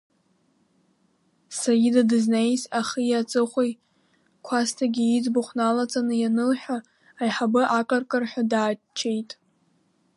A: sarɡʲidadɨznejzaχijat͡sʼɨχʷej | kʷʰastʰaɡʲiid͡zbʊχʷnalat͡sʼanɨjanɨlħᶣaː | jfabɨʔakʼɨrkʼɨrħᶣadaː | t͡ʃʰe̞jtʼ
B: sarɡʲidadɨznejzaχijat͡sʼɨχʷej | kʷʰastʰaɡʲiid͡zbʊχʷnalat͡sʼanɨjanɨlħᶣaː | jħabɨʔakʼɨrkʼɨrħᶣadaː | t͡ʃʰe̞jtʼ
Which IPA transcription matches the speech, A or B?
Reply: B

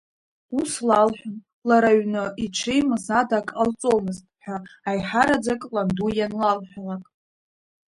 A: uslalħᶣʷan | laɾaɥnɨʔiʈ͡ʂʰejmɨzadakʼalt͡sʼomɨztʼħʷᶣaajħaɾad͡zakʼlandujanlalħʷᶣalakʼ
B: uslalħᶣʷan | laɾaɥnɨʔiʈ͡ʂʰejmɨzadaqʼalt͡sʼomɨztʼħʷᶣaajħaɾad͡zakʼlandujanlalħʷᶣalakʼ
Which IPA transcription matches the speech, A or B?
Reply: A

